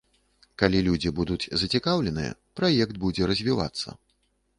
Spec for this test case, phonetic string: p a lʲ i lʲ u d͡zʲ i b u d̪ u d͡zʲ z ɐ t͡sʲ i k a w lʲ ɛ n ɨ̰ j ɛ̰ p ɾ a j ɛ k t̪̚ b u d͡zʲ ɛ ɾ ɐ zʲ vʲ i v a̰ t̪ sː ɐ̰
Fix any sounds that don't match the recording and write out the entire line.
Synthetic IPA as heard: k a lʲ i lʲ u d͡zʲ i b u d̪ u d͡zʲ z ɐ t͡sʲ i k a w lʲ ɛ n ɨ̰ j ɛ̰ p ɾ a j ɛ k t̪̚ b u d͡zʲ ɛ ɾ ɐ zʲ vʲ i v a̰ t̪ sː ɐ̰